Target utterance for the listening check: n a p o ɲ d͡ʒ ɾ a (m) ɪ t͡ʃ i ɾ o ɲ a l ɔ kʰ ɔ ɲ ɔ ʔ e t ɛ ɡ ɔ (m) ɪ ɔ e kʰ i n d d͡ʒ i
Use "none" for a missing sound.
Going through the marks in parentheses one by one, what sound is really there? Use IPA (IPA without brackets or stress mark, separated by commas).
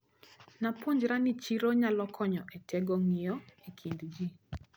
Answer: n, ŋ